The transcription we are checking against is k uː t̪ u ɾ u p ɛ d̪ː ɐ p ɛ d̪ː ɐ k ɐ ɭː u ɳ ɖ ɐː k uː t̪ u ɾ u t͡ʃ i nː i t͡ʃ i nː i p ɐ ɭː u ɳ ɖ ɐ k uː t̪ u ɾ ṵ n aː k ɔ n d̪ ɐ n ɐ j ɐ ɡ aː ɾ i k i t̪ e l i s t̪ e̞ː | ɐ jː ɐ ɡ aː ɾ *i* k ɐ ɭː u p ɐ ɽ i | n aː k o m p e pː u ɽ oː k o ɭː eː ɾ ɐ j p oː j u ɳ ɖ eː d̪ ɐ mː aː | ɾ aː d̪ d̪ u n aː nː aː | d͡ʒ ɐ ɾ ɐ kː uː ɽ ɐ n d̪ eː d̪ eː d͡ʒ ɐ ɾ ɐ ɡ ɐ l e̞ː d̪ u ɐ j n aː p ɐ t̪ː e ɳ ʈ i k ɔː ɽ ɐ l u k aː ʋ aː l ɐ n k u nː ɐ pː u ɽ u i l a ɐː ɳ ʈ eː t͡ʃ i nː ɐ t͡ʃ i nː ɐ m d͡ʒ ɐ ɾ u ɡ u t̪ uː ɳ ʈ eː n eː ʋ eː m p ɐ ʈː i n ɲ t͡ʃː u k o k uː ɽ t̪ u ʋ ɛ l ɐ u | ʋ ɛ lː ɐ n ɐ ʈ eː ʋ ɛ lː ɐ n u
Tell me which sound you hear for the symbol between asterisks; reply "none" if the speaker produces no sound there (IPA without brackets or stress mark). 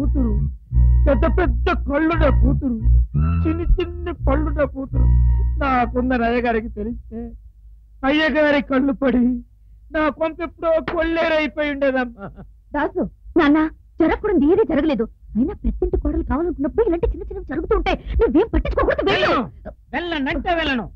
i